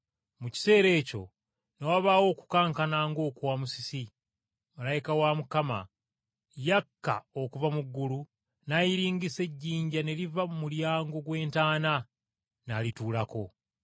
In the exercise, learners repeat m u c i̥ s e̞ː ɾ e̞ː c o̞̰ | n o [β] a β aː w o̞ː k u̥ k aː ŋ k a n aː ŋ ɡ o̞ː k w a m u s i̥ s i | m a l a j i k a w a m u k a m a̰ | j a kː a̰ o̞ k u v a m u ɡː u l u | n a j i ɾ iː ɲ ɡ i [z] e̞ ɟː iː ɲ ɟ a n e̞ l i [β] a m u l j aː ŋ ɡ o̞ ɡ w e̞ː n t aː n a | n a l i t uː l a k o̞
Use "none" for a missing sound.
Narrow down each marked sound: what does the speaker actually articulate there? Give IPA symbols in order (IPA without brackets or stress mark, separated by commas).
w, s, v